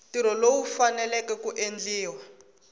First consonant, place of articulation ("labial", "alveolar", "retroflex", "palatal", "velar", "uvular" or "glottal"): alveolar